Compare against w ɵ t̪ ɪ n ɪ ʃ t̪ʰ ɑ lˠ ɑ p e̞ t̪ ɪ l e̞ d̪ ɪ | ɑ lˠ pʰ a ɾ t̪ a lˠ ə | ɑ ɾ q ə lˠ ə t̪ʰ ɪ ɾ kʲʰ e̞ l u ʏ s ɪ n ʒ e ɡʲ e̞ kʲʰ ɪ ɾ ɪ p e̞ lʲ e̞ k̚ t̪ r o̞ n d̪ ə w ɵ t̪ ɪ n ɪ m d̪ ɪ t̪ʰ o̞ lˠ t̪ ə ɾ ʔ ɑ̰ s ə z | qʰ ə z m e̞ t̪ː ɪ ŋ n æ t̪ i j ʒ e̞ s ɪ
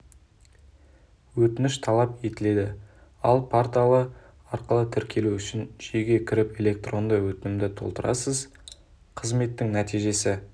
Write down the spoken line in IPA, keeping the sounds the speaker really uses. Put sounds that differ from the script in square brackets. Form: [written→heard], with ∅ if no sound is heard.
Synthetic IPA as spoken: w ɵ t̪ ɪ n ɪ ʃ t̪ʰ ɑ lˠ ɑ p e̞ t̪ ɪ l e̞ d̪ ɪ | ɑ lˠ pʰ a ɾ t̪ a lˠ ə | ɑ ɾ q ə lˠ ə t̪ʰ ɪ ɾ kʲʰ e̞ l u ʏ [s→ʃ] ɪ n ʒ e ɡʲ e̞ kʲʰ ɪ ɾ ɪ p e̞ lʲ e̞ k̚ t̪ r o̞ n d̪ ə w ɵ t̪ ɪ n ɪ m d̪ ɪ t̪ʰ o̞ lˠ t̪ ə ɾ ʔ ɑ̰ s ə z | qʰ ə z m e̞ t̪ː ɪ ŋ n æ t̪ i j ʒ e̞ s ɪ

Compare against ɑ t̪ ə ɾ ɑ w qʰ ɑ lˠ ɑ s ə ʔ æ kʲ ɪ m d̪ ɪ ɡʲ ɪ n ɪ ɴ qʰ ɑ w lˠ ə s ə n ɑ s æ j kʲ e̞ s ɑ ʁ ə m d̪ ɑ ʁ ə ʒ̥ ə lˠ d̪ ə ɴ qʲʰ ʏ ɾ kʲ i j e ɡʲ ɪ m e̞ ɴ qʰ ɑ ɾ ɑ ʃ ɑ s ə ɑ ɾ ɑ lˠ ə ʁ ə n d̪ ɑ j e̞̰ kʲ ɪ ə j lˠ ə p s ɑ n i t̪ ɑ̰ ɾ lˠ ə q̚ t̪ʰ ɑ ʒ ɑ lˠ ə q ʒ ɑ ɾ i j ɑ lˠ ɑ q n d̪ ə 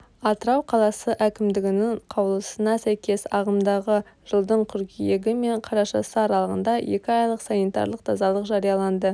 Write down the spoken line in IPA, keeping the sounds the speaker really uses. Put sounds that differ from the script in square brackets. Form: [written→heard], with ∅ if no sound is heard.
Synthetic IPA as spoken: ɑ t̪ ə ɾ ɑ w qʰ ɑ lˠ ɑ s ə ʔ æ kʲ ɪ m d̪ ɪ ɡʲ ɪ n ɪ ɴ qʰ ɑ w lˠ ə s ə n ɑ s æ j kʲ e̞ s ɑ ʁ ə m d̪ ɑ ʁ ə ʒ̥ ə lˠ d̪ ə ɴ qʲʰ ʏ ɾ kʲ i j e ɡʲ ɪ m e̞ ɴ qʰ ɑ ɾ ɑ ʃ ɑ s ə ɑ ɾ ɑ lˠ ə ʁ ə n d̪ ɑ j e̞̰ kʲ ɪ [ə→ɑ] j lˠ ə [p→q] s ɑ n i t̪ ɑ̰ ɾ lˠ ə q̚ t̪ʰ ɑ [ʒ→z] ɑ lˠ ə q ʒ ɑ ɾ i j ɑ lˠ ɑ [q→∅] n d̪ ə

